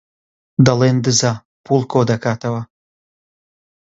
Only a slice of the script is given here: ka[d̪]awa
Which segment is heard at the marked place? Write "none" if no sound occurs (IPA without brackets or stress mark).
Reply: t̪